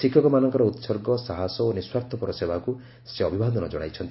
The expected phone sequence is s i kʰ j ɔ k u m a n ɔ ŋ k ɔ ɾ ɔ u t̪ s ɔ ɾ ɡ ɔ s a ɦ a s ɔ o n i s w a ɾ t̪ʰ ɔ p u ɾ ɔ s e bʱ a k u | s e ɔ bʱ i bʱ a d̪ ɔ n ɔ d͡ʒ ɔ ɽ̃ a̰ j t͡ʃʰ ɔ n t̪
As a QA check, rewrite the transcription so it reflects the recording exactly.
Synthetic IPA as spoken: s i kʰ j ɔ k ɔ m a n ɔ ŋ k ɔ ɾ ɔ u t̪ s ɔ ɾ ɡ ɔ s a ɦ a s ɔ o n i s w a ɾ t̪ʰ ɔ p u ɾ ɔ s e bʱ a k u | s e ɔ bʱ i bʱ a d̪ ɔ n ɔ d͡ʒ ɔ ɽ̃ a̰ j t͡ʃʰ ɔ n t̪